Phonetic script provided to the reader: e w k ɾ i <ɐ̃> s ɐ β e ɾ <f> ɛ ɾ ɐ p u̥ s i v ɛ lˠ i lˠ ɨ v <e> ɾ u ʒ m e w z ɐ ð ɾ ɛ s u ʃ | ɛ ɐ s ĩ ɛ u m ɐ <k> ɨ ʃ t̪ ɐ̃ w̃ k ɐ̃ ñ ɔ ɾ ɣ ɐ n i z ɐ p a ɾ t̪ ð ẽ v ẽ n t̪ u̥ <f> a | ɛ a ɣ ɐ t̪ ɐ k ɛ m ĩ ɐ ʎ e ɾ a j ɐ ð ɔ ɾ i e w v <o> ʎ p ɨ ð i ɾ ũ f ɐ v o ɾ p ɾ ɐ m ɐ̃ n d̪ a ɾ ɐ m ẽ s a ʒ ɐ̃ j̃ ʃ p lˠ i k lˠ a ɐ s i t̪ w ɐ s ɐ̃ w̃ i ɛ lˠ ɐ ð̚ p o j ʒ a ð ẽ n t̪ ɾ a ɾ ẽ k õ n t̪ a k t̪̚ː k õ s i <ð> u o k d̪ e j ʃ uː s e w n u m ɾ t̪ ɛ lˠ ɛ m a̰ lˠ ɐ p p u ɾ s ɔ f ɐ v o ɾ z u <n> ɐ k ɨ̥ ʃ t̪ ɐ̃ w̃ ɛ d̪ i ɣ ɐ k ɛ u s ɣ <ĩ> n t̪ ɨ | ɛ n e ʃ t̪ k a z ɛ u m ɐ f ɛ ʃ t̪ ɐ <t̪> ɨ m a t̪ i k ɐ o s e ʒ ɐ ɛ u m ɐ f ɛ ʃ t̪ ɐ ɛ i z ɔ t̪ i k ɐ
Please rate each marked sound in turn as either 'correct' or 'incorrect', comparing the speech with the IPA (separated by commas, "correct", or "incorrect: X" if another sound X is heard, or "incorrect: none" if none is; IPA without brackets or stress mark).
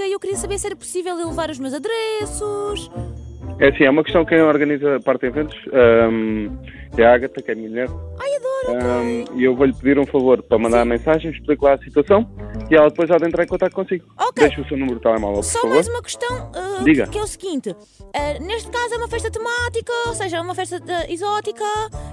incorrect: ɐ, incorrect: s, incorrect: a, correct, incorrect: ʃ, correct, incorrect: ɣ, incorrect: m, correct, correct